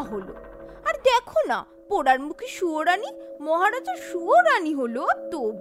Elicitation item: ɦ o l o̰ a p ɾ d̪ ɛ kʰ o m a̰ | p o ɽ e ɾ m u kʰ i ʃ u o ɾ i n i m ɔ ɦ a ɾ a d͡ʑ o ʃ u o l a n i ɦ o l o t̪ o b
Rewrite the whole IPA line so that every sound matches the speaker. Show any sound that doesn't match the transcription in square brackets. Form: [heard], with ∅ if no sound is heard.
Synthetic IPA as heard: ɦ o l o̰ a [∅] ɾ d̪ ɛ kʰ o [n] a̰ | p o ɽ [a] ɾ m u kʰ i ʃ u o ɾ [a] n i m ɔ ɦ a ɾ a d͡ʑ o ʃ u o [ɾ] a n i ɦ o l o t̪ o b